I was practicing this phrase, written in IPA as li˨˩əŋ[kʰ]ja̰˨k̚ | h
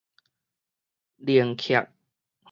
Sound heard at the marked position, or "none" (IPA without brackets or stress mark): kʰ